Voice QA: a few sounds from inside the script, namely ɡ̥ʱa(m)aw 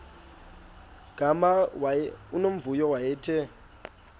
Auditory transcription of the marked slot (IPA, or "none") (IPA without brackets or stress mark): m